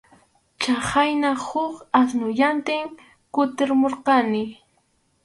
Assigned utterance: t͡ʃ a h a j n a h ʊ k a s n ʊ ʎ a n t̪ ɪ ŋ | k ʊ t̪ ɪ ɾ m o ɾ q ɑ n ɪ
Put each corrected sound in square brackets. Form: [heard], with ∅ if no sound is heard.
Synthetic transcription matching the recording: t͡ʃ a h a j n a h ʊ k a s n ʊ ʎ a n t̪ ɪ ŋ | k ʊ t̪ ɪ ɾ m o ɾ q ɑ n ɪ